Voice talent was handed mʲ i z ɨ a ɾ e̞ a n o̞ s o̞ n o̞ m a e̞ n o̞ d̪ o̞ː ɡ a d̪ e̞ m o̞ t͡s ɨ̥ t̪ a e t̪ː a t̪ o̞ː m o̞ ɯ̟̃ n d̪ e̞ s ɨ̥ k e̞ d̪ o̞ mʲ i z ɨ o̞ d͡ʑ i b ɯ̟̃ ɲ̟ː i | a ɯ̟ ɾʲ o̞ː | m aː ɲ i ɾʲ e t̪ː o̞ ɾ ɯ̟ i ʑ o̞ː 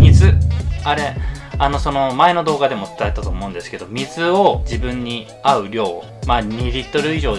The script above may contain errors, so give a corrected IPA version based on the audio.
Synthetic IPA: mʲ i z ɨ a ɾ e̞ a n o̞ s o̞ n o̞ m a e̞ n o̞ d̪ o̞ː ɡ a d̪ e̞ m o̞ t͡s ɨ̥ t̪ a e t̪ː a t̪ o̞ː m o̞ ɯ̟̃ n d̪ e̞ s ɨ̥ k e̞ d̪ o̞ mʲ i z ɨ o̞ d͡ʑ i b ɯ̟̃ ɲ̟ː i | a ɯ̟ ɾʲ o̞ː | m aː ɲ i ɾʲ i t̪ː o̞ ɾ ɯ̟ i ʑ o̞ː